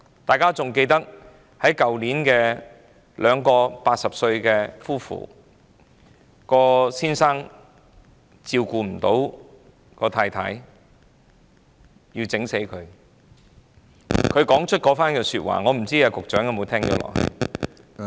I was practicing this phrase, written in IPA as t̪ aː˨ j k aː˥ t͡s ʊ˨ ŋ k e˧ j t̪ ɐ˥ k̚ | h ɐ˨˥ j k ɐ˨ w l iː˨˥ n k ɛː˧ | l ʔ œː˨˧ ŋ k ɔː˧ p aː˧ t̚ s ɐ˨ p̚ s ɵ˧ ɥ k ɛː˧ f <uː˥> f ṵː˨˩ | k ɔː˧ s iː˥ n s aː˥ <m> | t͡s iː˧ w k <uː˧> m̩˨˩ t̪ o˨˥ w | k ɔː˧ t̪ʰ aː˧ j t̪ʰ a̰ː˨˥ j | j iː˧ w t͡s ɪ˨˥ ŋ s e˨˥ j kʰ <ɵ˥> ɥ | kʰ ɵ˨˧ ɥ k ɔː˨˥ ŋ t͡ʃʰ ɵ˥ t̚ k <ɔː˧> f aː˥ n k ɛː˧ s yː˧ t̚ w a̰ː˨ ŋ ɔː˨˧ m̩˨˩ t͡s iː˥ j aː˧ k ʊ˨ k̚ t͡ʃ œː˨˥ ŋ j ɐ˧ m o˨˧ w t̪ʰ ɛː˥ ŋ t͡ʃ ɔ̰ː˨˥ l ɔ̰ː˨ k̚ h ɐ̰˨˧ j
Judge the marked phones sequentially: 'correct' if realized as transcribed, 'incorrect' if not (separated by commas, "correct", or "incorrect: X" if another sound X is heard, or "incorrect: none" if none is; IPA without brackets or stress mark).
correct, incorrect: ŋ, correct, incorrect: ɵ˨˧, incorrect: ɔː˨˥